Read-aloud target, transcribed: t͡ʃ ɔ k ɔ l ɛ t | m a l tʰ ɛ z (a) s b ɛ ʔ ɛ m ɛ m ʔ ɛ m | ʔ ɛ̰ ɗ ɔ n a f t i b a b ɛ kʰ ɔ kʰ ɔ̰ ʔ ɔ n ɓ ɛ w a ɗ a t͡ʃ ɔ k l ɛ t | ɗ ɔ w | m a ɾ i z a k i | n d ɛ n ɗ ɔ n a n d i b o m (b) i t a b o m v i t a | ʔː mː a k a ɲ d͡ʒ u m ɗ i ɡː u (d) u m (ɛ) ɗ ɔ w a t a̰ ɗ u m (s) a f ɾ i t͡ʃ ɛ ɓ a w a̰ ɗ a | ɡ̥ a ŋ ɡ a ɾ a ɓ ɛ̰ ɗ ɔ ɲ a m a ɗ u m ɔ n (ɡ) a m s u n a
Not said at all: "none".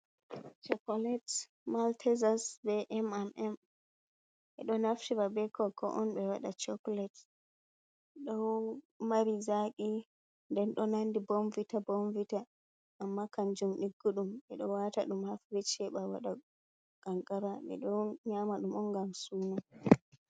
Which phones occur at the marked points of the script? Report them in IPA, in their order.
a, v, ɗ, ɛ, h, ɡ

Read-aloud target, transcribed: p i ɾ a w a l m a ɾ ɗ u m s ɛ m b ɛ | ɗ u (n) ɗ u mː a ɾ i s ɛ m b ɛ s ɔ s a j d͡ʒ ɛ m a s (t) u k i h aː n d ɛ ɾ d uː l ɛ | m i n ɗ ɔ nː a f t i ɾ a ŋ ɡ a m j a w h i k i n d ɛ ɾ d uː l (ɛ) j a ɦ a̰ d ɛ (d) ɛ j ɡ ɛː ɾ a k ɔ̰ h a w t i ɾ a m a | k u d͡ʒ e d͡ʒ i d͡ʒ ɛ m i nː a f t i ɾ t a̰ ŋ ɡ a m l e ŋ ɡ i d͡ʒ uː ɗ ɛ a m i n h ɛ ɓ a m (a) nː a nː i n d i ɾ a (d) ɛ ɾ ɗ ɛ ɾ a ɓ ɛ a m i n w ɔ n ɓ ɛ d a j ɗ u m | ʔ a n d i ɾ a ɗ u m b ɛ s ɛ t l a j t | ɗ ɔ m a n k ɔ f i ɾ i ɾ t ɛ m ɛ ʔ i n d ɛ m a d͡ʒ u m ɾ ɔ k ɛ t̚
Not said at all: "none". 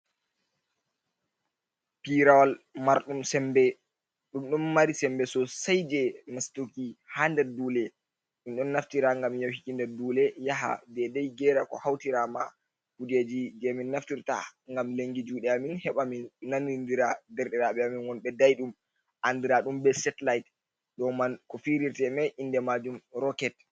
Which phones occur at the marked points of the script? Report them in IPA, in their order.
m, t, ɛ, d, i, d

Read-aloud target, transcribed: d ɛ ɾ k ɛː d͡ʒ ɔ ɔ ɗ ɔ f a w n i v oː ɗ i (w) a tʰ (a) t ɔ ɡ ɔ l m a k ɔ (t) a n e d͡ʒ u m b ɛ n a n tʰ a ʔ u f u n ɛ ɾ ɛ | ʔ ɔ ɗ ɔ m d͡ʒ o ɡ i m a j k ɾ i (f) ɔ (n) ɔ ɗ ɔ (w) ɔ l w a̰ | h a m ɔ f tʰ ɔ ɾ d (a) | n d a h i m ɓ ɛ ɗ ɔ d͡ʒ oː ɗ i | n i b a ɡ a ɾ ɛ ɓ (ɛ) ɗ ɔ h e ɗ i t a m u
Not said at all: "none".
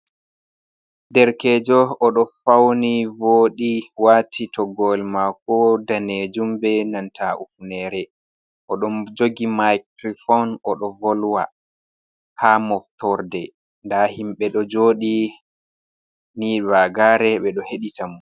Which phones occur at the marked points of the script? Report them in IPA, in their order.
w, i, d, f, n, v, ɛ, ɛ

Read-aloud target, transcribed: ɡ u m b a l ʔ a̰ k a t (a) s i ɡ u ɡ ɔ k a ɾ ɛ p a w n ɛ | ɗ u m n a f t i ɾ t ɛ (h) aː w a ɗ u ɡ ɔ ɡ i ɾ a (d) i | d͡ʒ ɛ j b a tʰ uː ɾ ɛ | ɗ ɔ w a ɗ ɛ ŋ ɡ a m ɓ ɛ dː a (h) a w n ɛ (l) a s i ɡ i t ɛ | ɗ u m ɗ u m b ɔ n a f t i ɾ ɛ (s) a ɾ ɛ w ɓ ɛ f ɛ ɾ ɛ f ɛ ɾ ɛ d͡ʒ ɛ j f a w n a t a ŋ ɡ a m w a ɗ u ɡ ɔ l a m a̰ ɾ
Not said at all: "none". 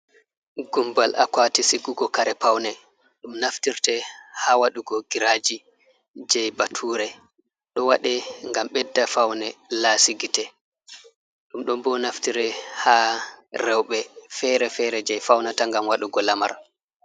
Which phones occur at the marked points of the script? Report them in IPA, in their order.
i, h, d͡ʒ, f, l, h

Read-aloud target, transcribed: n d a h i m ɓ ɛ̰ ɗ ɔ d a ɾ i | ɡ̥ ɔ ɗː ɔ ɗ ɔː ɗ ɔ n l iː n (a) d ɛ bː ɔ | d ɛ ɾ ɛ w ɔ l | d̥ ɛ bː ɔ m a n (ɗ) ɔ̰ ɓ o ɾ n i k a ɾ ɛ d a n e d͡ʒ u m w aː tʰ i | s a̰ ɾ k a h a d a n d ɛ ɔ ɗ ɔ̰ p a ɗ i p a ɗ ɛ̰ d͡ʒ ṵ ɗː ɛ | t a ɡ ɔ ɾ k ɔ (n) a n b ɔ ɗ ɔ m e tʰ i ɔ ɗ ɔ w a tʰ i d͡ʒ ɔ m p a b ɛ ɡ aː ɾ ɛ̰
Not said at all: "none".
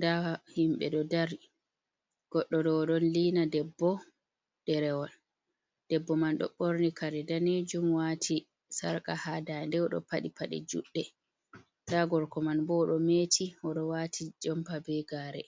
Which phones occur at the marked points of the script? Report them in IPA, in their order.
a, ɗ, m

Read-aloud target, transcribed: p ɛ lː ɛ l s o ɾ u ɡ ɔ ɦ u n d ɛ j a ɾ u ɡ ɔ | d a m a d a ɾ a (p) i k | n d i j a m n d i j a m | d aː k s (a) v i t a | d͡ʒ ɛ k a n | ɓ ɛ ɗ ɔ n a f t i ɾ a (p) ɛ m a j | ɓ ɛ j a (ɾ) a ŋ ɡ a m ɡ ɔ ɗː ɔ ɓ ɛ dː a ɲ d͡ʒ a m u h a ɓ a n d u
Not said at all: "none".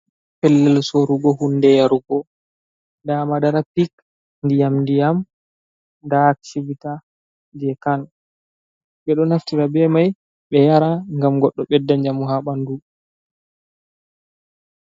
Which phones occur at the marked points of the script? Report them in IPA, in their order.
p, i, b, ɾ

